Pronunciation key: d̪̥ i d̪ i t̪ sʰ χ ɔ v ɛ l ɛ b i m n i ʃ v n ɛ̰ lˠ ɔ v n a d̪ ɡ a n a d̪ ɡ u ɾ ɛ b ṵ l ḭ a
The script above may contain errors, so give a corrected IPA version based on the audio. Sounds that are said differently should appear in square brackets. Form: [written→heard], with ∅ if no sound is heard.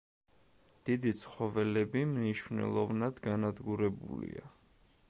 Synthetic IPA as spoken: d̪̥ i d̪ i t̪ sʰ χ ɔ v ɛ l ɛ b i m n i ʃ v n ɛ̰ lˠ ɔ v n a d̪ ɡ a n a d̪ ɡ u ɾ ɛ b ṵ l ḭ a